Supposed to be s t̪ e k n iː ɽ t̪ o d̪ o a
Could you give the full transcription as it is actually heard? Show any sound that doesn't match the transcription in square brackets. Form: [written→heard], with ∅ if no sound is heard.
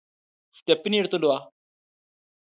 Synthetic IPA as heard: s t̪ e [k→p] n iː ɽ t̪ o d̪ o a